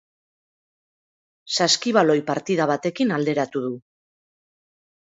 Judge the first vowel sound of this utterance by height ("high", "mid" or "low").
low